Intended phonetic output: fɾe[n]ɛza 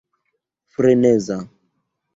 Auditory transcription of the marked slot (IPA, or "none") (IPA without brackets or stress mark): n